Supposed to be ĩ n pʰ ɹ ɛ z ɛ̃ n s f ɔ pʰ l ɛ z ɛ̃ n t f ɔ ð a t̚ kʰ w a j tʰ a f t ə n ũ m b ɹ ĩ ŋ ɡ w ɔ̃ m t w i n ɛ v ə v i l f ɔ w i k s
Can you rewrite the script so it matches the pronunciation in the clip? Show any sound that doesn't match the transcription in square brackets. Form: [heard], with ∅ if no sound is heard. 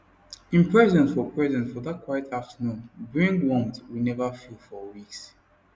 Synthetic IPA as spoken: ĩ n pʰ ɹ ɛ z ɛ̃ n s f ɔ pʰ [ɹ] ɛ z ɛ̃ n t f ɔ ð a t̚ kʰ w a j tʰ a f t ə n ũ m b ɹ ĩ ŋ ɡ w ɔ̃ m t w i n ɛ v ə [f] i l f ɔ w i k s